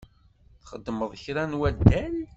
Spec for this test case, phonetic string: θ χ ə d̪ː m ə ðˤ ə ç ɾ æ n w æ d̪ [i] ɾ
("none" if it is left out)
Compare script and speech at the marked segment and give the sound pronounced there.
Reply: æ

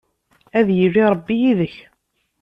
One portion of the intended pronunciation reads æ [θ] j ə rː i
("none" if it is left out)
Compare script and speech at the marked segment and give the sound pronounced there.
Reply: ð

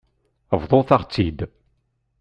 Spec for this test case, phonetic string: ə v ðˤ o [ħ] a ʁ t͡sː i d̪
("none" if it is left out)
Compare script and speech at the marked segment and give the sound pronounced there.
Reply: θ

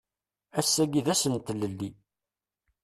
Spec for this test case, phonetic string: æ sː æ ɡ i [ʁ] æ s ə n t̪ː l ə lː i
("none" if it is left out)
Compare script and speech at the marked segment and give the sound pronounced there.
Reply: ð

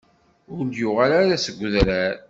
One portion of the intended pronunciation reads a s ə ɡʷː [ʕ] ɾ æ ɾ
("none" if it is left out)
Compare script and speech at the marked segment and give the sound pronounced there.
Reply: ð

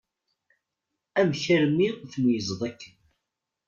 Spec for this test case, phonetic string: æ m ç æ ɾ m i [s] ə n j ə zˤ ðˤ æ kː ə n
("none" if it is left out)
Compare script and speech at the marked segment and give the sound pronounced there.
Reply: θ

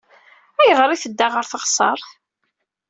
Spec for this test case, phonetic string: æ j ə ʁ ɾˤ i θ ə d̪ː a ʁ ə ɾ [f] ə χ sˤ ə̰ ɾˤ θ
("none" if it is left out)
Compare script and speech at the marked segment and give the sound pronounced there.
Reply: θ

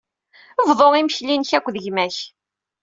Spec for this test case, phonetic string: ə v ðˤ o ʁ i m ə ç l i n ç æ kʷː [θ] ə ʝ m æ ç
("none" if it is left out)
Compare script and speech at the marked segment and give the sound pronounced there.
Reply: ð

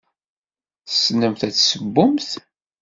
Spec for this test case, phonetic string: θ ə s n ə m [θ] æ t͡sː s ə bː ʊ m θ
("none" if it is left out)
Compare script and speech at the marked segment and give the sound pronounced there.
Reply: θ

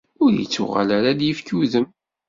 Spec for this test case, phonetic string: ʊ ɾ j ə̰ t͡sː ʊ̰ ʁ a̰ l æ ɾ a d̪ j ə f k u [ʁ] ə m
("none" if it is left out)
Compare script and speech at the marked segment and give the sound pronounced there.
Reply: ð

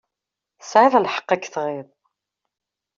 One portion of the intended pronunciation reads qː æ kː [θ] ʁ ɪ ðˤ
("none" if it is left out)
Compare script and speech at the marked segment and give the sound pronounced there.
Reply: θ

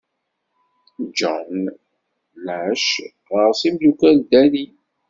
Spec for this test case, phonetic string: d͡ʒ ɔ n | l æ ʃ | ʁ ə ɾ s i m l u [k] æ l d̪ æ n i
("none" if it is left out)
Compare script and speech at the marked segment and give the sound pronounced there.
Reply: k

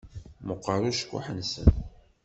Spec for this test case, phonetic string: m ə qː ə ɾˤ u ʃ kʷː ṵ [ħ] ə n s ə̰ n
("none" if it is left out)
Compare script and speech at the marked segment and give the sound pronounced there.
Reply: ħ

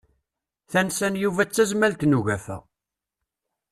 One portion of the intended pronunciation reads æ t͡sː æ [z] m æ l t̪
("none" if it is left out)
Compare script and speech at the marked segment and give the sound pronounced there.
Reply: z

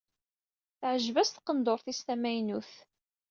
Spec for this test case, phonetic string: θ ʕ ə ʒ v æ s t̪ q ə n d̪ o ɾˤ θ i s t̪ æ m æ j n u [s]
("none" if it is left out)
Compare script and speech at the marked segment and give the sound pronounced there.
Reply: θ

